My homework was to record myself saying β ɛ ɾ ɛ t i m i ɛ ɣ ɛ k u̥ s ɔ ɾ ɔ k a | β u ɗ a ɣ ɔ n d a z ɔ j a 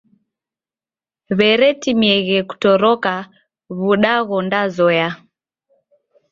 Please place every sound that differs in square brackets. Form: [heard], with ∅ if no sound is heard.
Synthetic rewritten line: β ɛ ɾ ɛ t i m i ɛ ɣ ɛ k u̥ [t] ɔ ɾ ɔ k a | β u ɗ a ɣ ɔ n d a z ɔ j a